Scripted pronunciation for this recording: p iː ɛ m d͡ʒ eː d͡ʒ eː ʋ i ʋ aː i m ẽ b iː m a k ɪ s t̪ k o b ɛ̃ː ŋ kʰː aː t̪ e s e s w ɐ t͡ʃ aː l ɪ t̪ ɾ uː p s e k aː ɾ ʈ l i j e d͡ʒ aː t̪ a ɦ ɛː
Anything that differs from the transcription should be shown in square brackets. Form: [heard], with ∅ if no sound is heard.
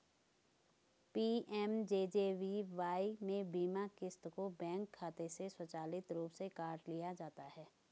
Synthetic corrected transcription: p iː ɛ m d͡ʒ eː d͡ʒ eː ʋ i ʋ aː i m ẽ b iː m a k ɪ s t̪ k o b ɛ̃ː ŋ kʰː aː t̪ e s e s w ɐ t͡ʃ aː l ɪ t̪ ɾ uː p s e k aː ɾ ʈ l i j [a] d͡ʒ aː t̪ a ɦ ɛː